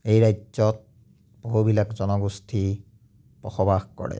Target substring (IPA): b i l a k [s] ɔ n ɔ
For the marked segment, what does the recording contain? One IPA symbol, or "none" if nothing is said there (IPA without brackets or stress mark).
z